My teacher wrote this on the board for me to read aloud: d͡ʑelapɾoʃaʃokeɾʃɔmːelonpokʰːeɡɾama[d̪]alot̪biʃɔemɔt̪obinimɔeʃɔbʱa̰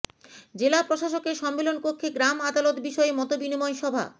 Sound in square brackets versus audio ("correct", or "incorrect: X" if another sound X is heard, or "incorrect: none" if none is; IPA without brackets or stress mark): correct